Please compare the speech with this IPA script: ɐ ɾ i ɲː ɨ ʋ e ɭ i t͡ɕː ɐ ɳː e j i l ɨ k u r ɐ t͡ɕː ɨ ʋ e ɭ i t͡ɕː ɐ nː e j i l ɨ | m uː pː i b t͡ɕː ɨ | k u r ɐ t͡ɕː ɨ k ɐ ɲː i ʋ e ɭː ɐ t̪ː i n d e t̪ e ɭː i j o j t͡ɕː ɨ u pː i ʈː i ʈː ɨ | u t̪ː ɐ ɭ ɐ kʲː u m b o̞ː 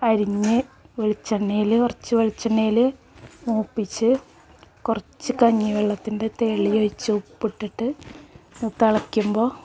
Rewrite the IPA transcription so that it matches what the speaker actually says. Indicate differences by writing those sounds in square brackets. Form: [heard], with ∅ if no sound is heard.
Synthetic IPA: ɐ ɾ i ɲː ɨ ʋ e ɭ i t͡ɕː ɐ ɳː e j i l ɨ k u r ɐ t͡ɕː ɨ ʋ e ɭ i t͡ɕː ɐ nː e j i l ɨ | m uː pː i [∅] t͡ɕː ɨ | k u r ɐ t͡ɕː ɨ k ɐ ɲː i ʋ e ɭː ɐ t̪ː i n d e t̪ e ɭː i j o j t͡ɕː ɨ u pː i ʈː i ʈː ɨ | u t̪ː ɐ ɭ ɐ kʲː u m b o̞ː